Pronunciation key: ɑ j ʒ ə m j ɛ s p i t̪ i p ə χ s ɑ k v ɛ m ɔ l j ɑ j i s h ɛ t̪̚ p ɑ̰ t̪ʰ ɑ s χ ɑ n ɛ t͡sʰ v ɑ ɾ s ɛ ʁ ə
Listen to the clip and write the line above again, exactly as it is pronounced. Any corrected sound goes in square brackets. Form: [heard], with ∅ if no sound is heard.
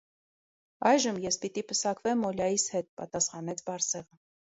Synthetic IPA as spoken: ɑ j ʒ ə m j ɛ s p i t̪ i p ə [∅] s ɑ k v ɛ m ɔ l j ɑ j i s h ɛ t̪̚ p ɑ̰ [t̪] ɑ s χ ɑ n ɛ t͡sʰ [b] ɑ ɾ s ɛ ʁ ə

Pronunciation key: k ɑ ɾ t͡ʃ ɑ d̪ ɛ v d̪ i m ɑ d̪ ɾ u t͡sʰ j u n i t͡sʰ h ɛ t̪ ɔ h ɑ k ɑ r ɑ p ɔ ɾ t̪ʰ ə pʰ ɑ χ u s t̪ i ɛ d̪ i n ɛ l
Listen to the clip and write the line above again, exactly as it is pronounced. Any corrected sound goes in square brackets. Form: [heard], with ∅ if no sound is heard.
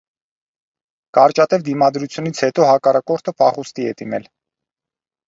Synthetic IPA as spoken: k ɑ ɾ t͡ʃ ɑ [t̪] ɛ v d̪ i m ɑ d̪ ɾ u t͡sʰ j u n i t͡sʰ h ɛ t̪ ɔ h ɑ k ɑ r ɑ [k] ɔ ɾ t̪ʰ ə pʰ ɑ χ u s t̪ i ɛ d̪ i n ɛ l

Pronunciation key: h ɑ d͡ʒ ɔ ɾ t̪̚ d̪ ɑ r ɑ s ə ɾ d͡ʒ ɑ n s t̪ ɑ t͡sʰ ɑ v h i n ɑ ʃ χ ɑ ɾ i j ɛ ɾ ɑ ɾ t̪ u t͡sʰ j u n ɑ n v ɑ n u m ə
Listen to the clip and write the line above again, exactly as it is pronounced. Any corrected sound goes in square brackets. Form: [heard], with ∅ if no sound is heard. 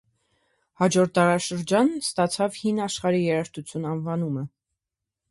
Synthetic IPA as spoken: h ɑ d͡ʒ ɔ ɾ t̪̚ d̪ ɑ [ɾ] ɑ [ʃ] ə ɾ d͡ʒ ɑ n s t̪ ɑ t͡sʰ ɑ v h i n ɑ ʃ χ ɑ ɾ i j ɛ ɾ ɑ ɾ t̪ u t͡sʰ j u n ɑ n v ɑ n u m ə

